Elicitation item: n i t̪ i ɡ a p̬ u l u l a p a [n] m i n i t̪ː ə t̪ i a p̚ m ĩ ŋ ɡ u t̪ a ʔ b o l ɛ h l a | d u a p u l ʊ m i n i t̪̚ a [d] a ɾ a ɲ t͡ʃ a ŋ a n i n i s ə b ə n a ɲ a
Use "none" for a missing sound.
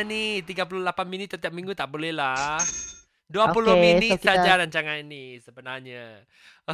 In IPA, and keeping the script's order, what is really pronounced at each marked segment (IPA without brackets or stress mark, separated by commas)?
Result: n, d͡ʒ